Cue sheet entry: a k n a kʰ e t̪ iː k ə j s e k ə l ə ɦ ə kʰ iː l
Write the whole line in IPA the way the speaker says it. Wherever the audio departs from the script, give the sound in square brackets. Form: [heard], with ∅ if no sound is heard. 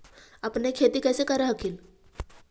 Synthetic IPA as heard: a [p] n [e] kʰ e t̪ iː k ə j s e k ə [ɾ] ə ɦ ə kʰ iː l